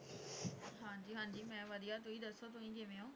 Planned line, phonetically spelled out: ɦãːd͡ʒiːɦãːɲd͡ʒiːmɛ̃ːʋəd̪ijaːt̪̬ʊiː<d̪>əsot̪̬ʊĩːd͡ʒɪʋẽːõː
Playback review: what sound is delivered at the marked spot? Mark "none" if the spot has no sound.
d̪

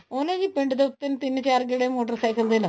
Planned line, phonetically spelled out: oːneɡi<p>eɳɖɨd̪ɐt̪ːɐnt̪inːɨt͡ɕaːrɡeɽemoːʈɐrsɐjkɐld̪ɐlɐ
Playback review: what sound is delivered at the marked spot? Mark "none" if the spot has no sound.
p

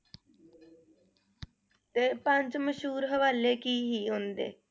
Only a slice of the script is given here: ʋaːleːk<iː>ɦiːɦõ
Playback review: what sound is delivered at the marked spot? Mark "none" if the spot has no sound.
iː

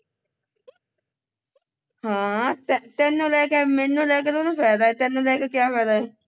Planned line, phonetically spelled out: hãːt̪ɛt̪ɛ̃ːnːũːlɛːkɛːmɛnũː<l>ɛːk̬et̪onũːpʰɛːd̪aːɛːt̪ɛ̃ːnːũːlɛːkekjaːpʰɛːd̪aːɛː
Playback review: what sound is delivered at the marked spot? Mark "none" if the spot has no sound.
l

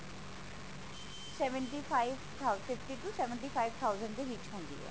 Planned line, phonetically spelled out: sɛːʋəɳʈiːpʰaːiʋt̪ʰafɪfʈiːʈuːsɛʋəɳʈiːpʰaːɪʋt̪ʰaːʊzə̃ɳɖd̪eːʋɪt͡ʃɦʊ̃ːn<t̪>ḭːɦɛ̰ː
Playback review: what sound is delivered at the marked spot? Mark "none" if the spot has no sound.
d̪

